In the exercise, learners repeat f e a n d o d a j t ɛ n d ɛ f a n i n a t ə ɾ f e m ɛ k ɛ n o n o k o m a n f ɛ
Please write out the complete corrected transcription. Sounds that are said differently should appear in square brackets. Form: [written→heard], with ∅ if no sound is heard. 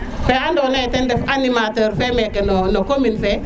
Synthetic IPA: f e a n d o [d→n] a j t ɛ n d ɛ f a n i [n→m] a t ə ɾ f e m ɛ k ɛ n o n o k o m [a→i] n f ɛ